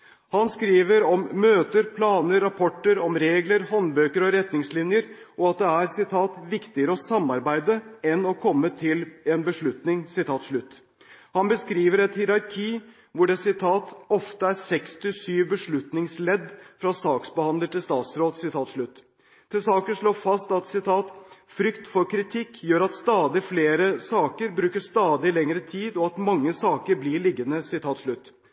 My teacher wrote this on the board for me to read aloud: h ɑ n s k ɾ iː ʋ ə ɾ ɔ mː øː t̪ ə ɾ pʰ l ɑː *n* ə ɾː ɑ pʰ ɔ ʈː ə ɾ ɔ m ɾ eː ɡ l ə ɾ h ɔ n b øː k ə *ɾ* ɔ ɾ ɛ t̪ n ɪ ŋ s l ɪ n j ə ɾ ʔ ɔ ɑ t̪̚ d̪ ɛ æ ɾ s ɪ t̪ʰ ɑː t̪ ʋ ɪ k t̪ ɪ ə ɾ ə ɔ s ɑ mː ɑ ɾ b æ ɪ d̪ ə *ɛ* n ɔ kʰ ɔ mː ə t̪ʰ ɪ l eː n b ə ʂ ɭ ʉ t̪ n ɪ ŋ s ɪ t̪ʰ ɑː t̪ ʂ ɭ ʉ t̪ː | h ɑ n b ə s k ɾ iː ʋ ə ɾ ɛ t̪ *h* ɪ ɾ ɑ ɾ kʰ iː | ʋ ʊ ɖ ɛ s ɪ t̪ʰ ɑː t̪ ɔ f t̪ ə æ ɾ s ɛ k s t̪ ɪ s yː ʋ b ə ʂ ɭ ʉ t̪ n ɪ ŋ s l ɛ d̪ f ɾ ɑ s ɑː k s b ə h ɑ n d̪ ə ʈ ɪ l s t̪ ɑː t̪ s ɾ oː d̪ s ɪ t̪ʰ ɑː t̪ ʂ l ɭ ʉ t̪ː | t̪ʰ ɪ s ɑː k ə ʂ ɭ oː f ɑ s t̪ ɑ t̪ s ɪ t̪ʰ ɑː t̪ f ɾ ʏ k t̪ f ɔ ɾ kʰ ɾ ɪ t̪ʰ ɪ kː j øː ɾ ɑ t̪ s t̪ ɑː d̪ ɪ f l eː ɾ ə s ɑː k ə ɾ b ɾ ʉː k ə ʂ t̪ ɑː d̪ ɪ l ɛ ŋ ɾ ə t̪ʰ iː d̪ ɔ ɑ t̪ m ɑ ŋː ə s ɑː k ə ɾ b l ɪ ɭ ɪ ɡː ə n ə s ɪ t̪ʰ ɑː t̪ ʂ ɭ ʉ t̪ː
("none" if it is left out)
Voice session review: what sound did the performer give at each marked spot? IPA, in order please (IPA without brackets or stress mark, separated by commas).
n, ɾ, ɛ, h